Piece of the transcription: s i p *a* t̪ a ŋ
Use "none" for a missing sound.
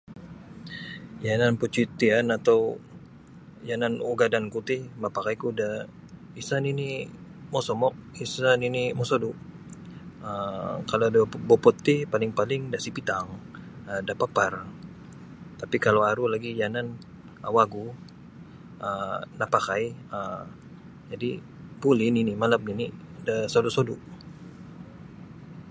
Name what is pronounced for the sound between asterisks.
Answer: i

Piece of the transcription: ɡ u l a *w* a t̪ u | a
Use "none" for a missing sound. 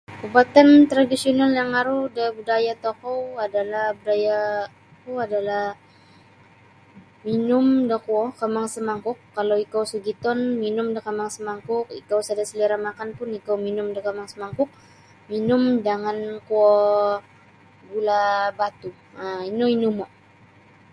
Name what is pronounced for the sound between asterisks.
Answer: b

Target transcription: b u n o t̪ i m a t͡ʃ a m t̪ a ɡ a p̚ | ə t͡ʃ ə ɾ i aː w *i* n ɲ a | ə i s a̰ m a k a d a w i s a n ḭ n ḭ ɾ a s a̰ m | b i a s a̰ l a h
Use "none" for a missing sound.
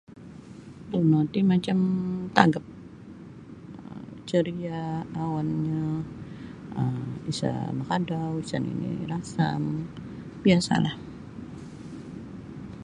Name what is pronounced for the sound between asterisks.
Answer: a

